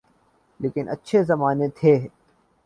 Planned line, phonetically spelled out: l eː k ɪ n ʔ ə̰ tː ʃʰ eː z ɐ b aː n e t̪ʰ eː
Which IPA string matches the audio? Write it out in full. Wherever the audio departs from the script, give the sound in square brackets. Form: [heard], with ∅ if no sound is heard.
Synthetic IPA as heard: l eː k ɪ n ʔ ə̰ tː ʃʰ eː z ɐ [m] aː n e t̪ʰ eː